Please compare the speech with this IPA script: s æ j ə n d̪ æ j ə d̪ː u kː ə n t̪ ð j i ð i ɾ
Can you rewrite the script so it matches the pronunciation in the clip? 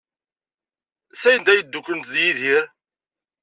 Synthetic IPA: s æ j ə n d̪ æ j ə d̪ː u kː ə n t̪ ð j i ð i ɾ